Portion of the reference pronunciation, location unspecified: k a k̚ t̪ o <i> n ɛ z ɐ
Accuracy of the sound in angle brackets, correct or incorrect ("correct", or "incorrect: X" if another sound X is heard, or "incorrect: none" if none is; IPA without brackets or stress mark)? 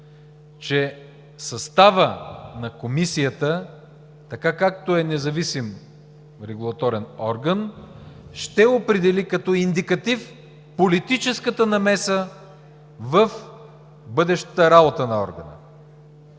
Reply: incorrect: ɛ